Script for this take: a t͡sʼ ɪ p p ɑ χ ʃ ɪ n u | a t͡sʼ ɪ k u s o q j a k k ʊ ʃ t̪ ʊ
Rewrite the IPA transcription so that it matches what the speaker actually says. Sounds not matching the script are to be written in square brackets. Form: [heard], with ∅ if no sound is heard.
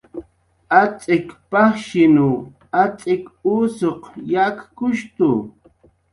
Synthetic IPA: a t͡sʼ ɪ [k] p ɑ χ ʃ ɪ n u | a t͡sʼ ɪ k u s o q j a k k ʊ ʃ t̪ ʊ